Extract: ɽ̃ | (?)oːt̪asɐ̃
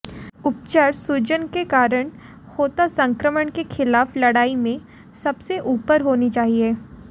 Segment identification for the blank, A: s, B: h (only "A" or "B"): B